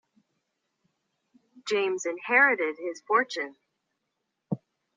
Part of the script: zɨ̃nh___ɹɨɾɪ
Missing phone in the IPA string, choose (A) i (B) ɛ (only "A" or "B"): B